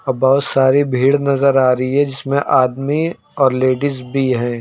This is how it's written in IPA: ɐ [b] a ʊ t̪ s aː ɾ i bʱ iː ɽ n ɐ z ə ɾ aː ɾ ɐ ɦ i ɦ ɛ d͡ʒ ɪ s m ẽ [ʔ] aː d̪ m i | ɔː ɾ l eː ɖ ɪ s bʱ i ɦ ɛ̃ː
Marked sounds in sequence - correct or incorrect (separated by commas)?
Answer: correct, correct